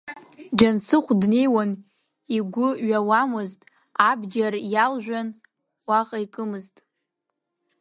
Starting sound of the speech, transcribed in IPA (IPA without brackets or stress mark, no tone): d͡ʒ